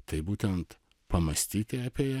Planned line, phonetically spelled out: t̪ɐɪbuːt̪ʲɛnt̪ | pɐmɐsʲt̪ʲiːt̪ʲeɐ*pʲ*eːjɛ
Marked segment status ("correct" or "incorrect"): correct